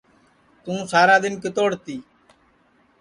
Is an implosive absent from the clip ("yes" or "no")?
yes